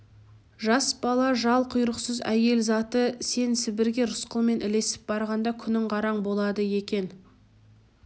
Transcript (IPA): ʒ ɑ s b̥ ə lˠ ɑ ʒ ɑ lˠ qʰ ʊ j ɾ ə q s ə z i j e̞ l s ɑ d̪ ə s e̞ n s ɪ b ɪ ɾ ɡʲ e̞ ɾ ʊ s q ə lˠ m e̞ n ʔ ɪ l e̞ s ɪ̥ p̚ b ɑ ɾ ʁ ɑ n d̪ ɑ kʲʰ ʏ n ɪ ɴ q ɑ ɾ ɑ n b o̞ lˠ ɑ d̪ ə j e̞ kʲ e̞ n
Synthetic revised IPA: ʒ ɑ s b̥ ɑ lˠ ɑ ʒ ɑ lˠ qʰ ʊ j ɾ ə q s ə z æ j e̞ l z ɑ t̪ ə s e̞ n s ɪ b ɪ ɾ ɡʲ e̞ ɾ ʊ s q ə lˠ m e̞ n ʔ ɪ l e̞ s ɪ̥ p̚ b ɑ ɾ ʁ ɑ n d̪ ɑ kʲʰ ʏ n ɪ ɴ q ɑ ɾ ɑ ɴ b o̞ lˠ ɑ d̪ ə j e̞ kʲ e̞ n